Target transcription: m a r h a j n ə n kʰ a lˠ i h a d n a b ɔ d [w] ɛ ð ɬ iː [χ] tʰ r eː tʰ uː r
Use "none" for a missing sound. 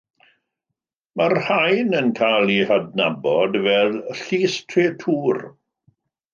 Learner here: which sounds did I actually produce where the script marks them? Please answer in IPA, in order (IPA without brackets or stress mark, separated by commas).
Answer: v, s